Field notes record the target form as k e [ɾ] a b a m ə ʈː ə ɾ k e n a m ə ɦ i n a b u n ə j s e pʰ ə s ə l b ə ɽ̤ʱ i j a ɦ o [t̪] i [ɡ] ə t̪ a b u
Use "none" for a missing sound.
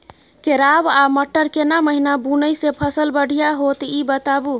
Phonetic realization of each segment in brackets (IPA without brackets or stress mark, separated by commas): ɾ, t̪, b